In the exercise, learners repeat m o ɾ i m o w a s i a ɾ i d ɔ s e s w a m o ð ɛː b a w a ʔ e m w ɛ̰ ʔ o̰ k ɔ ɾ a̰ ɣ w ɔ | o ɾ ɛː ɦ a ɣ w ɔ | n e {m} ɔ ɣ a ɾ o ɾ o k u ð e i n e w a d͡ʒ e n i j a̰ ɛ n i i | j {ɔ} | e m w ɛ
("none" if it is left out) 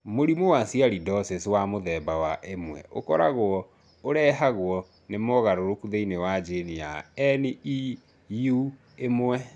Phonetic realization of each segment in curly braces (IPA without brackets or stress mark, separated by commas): m, u